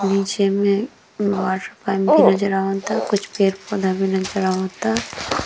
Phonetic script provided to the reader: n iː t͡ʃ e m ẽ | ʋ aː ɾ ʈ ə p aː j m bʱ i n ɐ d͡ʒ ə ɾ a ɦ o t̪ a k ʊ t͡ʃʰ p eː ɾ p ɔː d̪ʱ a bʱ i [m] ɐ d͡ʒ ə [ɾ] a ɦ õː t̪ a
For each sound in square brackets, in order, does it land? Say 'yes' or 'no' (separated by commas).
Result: no, yes